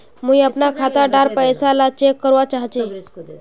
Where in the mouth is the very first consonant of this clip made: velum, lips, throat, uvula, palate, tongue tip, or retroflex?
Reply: lips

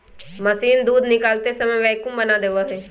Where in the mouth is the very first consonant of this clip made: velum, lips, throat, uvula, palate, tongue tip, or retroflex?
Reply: lips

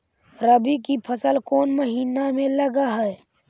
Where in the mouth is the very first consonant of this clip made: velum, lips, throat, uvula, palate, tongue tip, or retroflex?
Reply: tongue tip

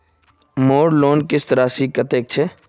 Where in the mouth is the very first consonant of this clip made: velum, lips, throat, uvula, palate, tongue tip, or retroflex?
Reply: lips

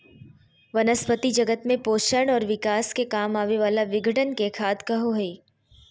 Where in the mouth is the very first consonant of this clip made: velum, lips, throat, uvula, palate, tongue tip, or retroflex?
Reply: lips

